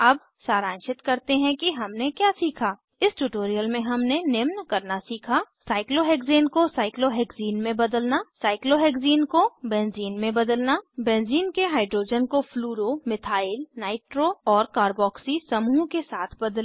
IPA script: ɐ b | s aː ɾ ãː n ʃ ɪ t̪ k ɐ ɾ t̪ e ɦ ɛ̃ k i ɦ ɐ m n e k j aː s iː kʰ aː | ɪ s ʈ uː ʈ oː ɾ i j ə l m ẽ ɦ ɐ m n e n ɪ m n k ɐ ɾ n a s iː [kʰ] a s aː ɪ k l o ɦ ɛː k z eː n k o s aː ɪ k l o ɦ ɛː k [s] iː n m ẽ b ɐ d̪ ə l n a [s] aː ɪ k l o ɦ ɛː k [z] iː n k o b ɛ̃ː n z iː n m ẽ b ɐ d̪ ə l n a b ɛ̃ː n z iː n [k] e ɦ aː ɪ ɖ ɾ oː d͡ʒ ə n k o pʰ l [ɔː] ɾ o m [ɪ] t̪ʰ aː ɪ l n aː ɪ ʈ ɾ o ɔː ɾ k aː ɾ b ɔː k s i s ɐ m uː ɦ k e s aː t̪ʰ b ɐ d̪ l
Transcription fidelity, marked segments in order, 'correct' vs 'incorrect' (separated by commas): correct, incorrect, correct, correct, correct, incorrect, correct